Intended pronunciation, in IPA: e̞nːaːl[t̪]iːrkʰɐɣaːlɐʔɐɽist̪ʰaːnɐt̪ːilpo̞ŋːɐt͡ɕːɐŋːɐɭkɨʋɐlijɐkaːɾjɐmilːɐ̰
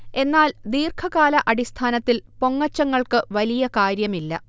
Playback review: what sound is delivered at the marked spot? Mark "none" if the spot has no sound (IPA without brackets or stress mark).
d̪